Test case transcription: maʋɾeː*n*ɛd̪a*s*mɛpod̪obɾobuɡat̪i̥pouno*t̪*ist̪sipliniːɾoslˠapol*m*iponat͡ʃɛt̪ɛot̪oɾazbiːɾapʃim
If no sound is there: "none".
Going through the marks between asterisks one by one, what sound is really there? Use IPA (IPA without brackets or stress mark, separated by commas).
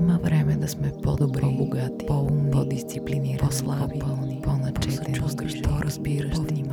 m, s, d̪, n